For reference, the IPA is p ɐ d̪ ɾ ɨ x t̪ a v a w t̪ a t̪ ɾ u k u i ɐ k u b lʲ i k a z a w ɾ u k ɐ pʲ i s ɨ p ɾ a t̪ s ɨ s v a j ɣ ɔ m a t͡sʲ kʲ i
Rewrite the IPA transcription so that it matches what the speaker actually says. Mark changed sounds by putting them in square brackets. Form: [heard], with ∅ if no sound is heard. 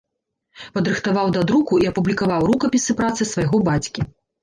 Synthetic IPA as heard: p ɐ d̪ ɾ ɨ x t̪ a v a w [d̪] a [d̪] ɾ u k u i ɐ [p] u b lʲ i k a [v] a w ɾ u k ɐ pʲ i s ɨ p ɾ a t̪ s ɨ s v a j ɣ ɔ [b] a t͡sʲ kʲ i